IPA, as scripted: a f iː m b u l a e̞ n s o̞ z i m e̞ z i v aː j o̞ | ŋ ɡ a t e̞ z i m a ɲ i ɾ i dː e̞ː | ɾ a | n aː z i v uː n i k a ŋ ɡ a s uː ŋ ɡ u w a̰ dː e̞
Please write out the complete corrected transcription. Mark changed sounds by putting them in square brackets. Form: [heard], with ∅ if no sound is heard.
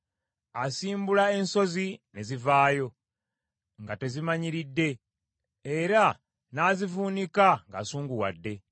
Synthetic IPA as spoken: a [s] iː m b u l a e̞ n s o̞ z i [n] e̞ z i v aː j o̞ | ŋ ɡ a t e̞ z i m a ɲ i ɾ i dː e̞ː | ɾ a | n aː z i v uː n i k a ŋ ɡ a s uː ŋ ɡ u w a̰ dː e̞